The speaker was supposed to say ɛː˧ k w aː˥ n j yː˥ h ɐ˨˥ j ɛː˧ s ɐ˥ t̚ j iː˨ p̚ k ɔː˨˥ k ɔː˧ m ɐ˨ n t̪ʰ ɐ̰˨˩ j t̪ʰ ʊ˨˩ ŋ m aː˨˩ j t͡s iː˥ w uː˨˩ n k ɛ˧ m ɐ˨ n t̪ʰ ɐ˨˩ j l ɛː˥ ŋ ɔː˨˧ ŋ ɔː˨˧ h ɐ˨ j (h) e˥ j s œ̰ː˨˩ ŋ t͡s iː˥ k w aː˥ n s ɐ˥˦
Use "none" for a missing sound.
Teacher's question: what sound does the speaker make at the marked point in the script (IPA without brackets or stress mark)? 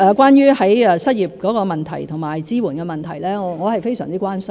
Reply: f